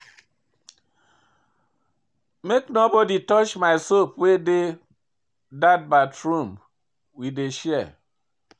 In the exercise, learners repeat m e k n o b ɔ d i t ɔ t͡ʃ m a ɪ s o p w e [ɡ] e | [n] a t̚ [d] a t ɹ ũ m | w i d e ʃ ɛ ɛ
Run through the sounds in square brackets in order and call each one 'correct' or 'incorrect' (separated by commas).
incorrect, incorrect, incorrect